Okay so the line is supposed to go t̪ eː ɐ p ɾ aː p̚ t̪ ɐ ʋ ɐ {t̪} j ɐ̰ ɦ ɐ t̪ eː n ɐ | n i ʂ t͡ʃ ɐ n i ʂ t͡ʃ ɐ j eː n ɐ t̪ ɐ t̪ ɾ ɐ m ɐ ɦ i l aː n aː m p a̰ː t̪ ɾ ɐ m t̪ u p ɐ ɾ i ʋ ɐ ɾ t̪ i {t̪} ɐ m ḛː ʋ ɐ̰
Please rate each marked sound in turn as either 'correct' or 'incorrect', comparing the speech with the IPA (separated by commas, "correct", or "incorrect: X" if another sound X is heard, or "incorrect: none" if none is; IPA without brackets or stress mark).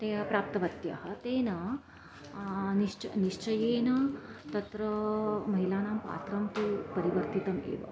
correct, correct